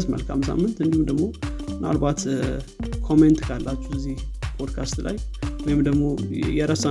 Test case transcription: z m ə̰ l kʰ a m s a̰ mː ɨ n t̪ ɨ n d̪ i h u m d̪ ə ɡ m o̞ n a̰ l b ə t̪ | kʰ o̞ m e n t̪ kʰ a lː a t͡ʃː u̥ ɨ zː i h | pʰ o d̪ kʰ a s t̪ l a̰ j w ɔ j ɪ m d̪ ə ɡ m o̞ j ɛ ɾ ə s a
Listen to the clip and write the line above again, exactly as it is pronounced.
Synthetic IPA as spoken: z m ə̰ l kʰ a m s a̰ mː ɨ n t̪ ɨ n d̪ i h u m d̪ ə ɡ m o̞ n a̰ l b a t̪ | kʰ o̞ m e n t̪ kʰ a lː a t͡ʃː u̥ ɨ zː i h | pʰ o d̪ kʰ a s t̪ l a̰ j w ɔ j ɪ m d̪ ə ɡ m o̞ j ɛ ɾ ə s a